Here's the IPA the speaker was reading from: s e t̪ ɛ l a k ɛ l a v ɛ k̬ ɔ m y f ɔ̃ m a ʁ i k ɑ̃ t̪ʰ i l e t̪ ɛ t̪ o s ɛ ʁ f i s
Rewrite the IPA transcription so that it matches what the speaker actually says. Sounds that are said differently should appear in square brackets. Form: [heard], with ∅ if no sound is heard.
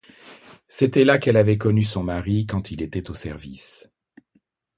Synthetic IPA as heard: s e t̪ ɛ l a k ɛ l a v ɛ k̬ ɔ [n] y [s] ɔ̃ m a ʁ i k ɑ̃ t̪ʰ i l e t̪ ɛ t̪ o s ɛ ʁ [v] i s

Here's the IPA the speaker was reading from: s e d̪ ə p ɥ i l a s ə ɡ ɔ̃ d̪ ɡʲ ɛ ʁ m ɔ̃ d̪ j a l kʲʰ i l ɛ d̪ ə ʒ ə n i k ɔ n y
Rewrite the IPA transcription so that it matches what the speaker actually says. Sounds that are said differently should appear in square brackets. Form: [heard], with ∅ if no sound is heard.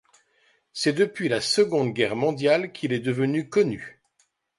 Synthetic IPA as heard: s [ɛ] d̪ ə p ɥ i l a s ə ɡ ɔ̃ d̪ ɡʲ ɛ ʁ m ɔ̃ d̪ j a l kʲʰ i l ɛ d̪ ə [v] ə n [y] k ɔ n y

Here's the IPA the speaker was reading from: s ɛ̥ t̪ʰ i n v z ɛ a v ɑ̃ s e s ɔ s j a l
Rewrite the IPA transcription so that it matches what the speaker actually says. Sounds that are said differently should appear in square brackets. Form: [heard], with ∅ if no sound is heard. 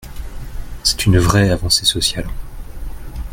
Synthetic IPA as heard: s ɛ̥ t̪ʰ [y] n v [ʁ] ɛ a v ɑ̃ s e s ɔ s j a l

